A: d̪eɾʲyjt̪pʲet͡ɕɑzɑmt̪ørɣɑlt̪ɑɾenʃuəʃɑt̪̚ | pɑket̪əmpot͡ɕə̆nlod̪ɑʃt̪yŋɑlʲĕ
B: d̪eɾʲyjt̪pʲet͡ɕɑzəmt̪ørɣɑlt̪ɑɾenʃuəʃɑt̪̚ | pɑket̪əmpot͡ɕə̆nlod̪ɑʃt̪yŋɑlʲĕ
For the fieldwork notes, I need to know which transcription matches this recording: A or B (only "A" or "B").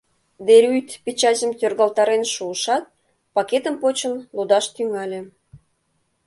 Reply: B